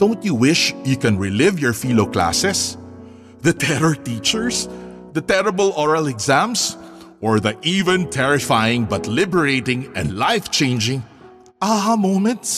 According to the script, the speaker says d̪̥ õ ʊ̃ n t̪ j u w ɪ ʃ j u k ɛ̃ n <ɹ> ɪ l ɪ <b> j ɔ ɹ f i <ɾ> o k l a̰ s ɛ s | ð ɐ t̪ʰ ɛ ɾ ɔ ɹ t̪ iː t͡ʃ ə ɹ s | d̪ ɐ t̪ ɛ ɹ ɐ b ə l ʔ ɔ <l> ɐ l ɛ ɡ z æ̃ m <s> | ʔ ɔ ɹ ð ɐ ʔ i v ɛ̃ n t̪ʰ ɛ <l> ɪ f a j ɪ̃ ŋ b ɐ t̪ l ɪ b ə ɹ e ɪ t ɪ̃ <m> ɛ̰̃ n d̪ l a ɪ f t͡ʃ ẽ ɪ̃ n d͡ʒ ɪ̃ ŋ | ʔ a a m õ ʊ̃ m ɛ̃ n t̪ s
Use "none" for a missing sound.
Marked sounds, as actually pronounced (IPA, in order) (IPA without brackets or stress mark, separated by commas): ɹ, v, l, ɹ, s, ɹ, ŋ